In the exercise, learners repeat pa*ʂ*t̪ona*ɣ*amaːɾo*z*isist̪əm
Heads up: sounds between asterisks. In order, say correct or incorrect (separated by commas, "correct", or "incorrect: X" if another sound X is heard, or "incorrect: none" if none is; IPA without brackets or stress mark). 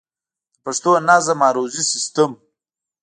correct, incorrect: z, correct